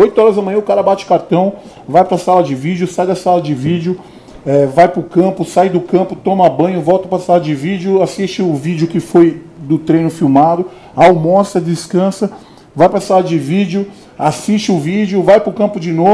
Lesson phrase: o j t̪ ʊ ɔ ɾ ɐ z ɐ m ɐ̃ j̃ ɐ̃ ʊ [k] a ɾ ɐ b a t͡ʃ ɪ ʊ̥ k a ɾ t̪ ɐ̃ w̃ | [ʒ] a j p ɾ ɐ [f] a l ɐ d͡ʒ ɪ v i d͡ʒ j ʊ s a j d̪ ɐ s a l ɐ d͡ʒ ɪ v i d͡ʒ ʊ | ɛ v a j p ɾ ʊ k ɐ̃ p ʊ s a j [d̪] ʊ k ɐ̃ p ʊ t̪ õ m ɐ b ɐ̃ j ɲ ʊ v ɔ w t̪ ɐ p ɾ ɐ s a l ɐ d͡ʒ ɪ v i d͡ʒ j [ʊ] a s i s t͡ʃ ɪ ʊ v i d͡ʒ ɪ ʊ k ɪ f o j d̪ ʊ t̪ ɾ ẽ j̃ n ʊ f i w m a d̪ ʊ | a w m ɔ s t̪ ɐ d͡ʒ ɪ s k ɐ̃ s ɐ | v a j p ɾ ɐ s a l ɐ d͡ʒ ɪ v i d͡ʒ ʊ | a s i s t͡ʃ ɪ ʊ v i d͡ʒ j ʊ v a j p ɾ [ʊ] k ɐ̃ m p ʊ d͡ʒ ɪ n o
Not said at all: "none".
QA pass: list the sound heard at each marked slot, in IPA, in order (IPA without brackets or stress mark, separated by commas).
k, v, s, d̪, ʊ, ʊ